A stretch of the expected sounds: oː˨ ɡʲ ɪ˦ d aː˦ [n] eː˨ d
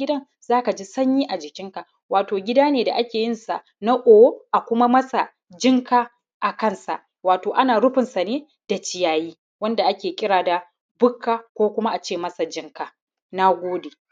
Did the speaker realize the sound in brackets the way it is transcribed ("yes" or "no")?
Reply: yes